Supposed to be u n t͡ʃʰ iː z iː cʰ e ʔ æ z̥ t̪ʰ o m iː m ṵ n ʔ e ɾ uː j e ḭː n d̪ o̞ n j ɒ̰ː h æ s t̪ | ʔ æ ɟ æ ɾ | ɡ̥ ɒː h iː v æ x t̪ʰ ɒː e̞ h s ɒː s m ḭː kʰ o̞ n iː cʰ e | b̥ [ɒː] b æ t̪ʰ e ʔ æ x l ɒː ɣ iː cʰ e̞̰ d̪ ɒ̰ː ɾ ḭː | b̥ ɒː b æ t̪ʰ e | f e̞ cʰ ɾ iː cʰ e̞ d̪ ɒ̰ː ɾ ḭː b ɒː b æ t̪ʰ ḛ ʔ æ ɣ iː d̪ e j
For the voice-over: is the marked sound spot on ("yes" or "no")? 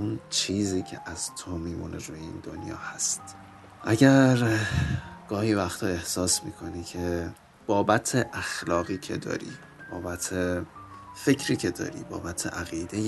yes